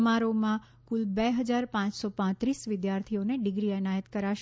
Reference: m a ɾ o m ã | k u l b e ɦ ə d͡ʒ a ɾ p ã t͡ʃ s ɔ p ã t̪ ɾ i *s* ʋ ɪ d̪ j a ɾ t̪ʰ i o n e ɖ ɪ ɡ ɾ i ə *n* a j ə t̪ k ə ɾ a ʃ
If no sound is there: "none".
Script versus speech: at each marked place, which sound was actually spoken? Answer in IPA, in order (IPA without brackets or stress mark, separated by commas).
s, n